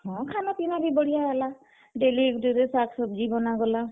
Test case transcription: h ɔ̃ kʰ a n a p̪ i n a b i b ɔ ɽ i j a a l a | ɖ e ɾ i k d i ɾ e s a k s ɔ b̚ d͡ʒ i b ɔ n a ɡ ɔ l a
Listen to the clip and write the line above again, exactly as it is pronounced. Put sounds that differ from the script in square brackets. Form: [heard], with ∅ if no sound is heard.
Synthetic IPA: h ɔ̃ kʰ a n a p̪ i n a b i b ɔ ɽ i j a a l a | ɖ e [l] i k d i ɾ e s a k s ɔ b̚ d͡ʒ i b ɔ n a ɡ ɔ l a